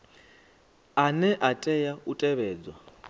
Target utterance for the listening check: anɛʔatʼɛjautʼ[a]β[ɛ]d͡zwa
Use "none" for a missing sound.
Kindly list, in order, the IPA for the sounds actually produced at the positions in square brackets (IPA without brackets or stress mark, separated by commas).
ɛ, ɛː